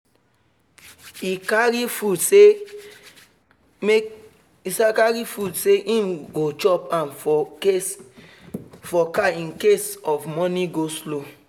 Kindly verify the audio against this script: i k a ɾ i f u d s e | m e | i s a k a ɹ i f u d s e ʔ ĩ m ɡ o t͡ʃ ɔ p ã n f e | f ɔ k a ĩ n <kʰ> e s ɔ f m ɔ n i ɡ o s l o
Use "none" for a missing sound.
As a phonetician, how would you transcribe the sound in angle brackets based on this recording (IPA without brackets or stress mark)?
k